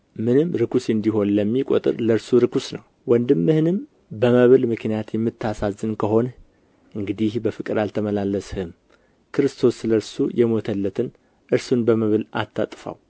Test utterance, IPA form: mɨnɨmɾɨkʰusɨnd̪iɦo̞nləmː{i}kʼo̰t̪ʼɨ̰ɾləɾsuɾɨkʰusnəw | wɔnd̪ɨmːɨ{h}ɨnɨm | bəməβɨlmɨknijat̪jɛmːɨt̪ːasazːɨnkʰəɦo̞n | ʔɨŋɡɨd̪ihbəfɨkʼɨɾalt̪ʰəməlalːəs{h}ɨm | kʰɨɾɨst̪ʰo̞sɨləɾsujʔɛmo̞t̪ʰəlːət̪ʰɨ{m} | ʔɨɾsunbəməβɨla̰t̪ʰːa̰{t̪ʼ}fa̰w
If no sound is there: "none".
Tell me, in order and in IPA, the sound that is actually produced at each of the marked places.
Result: i, h, h, n, t̪ʼ

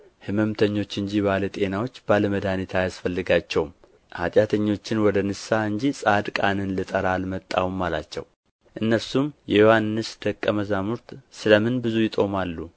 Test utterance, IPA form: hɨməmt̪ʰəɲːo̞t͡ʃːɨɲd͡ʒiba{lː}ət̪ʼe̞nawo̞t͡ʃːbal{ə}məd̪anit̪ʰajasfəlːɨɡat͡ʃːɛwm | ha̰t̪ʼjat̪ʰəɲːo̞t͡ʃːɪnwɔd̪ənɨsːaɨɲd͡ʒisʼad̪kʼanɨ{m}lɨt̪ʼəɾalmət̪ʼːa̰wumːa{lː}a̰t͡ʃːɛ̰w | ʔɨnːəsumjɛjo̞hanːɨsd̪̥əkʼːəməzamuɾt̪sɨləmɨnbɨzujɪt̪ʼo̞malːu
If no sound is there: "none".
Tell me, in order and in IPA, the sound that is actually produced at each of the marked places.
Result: l, ə, n, l

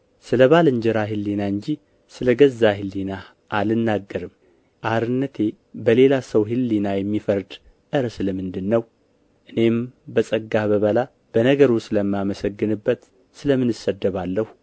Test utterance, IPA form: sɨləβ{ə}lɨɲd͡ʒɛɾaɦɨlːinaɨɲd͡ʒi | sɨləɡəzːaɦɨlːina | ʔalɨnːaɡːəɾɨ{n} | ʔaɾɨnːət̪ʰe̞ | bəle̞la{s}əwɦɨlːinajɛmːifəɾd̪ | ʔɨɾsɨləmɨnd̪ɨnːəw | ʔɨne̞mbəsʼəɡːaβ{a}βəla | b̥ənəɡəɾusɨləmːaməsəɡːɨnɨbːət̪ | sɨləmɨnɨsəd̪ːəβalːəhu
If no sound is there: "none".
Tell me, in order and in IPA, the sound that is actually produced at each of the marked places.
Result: a, m, s, ə

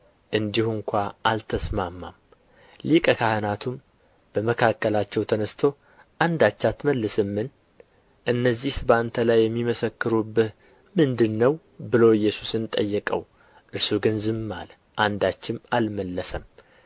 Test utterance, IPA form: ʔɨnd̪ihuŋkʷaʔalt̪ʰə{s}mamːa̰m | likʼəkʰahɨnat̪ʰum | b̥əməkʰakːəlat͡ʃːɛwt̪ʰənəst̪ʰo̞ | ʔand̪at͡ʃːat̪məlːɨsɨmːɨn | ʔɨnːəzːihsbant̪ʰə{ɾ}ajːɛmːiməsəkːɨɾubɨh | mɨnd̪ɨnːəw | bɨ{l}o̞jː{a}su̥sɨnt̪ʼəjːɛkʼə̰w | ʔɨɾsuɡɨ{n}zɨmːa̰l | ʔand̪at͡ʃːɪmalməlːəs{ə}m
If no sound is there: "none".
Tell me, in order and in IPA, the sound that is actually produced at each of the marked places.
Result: s, l, l, ɛ, n, ə

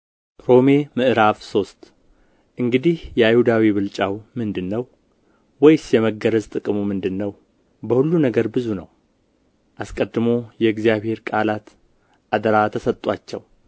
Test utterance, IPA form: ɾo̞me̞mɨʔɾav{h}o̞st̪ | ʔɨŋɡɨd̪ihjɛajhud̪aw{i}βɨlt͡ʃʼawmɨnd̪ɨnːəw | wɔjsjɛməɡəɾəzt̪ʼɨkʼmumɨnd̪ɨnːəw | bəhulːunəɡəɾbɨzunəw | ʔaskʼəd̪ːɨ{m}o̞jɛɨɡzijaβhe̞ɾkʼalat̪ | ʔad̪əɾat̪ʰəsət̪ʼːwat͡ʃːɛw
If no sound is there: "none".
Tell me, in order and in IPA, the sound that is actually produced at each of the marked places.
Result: s, i, m

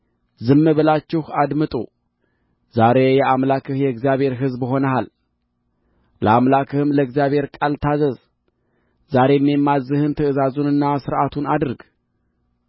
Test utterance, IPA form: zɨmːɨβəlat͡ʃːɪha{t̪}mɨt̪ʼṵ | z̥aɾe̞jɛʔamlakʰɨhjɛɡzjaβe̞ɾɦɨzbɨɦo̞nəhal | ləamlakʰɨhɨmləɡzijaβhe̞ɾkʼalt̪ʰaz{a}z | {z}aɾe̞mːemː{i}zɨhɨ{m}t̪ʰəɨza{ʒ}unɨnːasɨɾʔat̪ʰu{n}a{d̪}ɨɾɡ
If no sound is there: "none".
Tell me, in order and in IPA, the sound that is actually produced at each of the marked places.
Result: d̪, ə, z, a, n, z, n, d̪

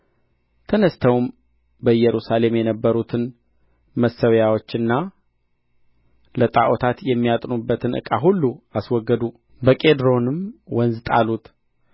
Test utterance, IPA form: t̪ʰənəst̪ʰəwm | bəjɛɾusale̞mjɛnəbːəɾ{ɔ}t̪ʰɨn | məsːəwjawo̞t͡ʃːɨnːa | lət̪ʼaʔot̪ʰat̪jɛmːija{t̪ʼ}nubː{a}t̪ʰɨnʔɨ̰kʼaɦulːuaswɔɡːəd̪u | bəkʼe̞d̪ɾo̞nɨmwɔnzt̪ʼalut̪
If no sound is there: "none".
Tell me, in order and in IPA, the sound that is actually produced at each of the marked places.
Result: u, t̪ʼ, ə

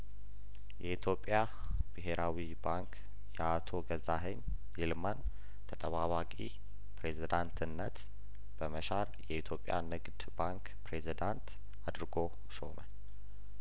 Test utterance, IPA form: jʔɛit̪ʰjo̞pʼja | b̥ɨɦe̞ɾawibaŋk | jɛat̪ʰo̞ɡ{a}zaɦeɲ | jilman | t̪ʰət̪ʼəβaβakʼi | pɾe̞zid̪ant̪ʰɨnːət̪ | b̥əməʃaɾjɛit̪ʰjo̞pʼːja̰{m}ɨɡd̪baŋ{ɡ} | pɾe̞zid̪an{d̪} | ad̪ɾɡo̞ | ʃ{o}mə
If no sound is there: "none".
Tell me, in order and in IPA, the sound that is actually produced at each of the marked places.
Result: ə, n, k, t̪, o

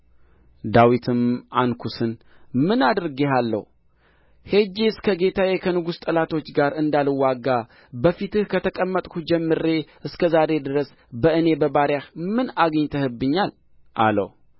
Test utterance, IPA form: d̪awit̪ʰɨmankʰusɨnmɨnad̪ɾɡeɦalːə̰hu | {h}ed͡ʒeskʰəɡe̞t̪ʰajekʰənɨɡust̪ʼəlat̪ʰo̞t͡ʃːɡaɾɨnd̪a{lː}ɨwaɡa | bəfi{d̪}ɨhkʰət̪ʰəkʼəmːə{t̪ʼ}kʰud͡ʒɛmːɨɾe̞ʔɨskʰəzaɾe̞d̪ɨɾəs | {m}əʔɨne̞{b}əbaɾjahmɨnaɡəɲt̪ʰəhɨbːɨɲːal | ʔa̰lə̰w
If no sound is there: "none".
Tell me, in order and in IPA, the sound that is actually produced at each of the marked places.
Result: h, l, t̪, t̪ʼ, b, b

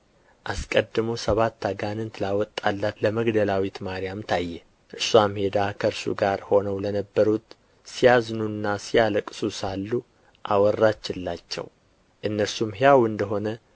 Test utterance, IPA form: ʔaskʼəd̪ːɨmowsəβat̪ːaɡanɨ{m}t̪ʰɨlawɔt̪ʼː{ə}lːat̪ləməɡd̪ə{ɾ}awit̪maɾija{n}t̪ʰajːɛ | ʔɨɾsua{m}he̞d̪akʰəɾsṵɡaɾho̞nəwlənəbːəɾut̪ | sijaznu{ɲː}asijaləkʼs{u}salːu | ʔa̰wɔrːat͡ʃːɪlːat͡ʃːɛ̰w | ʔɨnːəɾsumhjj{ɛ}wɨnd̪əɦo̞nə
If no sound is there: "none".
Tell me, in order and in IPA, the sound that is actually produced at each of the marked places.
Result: n, a, l, m, m, nː, u, a

